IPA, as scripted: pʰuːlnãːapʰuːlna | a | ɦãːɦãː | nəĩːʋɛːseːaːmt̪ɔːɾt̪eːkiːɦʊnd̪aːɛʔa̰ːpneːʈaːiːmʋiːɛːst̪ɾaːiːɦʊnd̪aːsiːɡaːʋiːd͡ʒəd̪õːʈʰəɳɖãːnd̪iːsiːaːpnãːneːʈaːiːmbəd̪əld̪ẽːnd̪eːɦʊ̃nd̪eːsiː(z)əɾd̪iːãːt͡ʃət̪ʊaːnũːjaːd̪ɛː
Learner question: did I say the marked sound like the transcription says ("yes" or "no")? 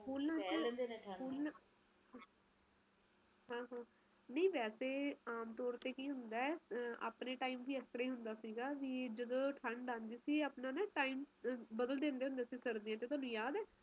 no